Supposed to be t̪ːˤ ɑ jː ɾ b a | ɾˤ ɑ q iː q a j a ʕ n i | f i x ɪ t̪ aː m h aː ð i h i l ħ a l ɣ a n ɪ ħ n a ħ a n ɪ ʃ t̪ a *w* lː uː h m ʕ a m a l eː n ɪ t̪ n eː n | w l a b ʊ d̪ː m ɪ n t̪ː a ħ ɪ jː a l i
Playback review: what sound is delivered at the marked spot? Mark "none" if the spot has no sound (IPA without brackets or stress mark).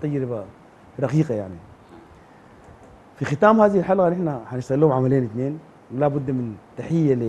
ɣ